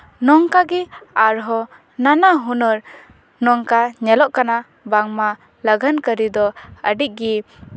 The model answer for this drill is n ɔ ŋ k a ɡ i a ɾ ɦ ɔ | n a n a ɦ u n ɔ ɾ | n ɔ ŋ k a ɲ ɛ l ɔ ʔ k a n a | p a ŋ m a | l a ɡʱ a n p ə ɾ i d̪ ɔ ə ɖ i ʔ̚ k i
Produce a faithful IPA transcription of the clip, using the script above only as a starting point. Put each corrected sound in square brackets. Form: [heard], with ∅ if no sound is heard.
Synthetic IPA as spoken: n ɔ ŋ k a ɡ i a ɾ ɦ ɔ | n a n a ɦ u n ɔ ɾ | n ɔ ŋ k a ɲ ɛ l ɔ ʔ k a n a | [b] a ŋ m a | l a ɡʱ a n [k] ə ɾ i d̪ ɔ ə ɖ i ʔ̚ [ɡ] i